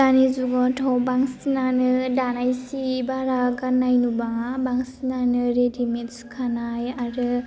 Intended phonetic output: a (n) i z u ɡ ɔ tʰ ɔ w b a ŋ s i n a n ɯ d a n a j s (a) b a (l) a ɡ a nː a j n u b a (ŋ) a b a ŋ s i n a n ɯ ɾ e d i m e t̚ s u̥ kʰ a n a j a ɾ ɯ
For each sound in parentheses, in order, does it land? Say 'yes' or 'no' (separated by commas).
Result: yes, no, no, yes